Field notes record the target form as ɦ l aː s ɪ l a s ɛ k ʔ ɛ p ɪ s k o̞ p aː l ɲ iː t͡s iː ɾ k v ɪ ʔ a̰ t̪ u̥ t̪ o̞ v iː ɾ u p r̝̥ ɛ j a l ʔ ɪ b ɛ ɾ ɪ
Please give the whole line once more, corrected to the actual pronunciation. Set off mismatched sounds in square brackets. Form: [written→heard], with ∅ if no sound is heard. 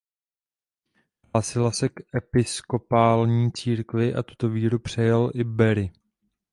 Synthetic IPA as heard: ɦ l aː s ɪ l a s ɛ k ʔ ɛ p ɪ s k o̞ p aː l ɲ iː t͡s iː ɾ k v ɪ ʔ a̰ t̪ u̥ t̪ o̞ v iː ɾ u p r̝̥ ɛ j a l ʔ ɪ b ɛ ɾ ɪ